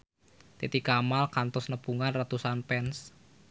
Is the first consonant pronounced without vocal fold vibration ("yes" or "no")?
yes